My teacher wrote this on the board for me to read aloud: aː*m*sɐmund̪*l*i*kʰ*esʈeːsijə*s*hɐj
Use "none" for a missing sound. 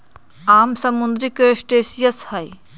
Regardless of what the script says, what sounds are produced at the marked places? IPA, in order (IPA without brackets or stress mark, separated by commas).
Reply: m, ɾ, k, s